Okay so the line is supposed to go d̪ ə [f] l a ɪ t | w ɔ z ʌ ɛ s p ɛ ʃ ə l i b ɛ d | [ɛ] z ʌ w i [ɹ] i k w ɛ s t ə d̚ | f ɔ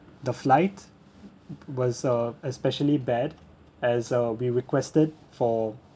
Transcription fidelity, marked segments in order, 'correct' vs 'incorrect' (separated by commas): correct, correct, correct